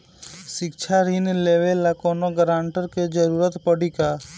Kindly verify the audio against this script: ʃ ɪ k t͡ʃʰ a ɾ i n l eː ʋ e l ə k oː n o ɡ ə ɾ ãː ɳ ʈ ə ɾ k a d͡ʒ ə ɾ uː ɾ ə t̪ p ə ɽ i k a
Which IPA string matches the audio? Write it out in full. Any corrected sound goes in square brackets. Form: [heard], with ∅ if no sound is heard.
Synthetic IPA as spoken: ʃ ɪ k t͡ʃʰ a ɾ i n l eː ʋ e l [a] k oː n o ɡ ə ɾ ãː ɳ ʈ ə ɾ k [e] d͡ʒ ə ɾ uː ɾ ə t̪ p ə ɽ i k a